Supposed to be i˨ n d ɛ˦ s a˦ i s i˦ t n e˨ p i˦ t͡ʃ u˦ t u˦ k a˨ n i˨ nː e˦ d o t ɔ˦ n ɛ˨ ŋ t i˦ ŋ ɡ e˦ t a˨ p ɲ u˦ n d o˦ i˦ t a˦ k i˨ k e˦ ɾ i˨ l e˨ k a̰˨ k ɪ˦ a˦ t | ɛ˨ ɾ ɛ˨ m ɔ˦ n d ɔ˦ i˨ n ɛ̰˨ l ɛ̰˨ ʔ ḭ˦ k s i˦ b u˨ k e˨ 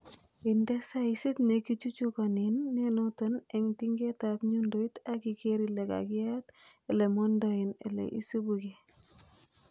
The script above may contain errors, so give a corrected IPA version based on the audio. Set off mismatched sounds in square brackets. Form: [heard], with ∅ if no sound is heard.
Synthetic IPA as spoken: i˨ n d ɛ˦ s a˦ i s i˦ t n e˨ [k] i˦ t͡ʃ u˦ [t͡ʃ] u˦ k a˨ n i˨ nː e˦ [n] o t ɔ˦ n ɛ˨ ŋ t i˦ ŋ ɡ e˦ t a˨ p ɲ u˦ n d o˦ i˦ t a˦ k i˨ k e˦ ɾ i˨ l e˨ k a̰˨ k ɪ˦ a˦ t | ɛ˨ [l] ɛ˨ m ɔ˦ n d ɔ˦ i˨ n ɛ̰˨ l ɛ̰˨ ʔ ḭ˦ [∅] s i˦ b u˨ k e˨